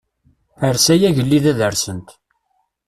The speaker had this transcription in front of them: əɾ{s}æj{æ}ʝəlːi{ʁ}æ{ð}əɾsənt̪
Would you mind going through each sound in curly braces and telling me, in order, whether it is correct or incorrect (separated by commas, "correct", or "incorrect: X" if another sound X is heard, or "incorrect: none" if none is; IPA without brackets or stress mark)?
correct, correct, incorrect: ð, correct